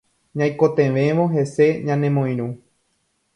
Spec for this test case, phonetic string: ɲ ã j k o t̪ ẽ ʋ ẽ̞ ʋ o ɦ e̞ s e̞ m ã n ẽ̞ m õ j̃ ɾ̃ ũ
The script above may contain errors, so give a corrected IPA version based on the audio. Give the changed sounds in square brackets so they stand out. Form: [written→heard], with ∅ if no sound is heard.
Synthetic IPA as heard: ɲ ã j k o t̪ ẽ ʋ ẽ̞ ʋ o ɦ e̞ s e̞ [m→ɲ] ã n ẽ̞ m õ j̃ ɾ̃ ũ